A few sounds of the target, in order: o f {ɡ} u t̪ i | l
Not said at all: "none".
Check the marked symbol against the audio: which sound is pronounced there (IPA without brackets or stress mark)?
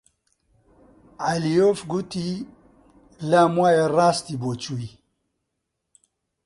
ɡ